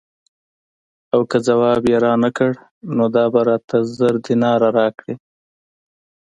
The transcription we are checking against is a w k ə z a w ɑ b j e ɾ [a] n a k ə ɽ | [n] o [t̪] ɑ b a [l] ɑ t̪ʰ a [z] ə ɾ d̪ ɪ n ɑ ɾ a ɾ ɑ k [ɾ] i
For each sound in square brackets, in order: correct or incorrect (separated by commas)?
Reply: incorrect, correct, incorrect, incorrect, correct, incorrect